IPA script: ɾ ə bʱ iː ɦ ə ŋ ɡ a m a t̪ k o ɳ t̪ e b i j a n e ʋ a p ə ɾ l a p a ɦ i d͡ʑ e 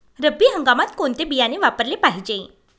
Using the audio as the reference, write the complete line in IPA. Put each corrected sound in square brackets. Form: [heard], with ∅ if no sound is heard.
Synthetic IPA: ɾ ə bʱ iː ɦ ə ŋ ɡ a m a t̪ k o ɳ t̪ e b i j a n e ʋ a p ə ɾ l [e] p a ɦ i d͡ʑ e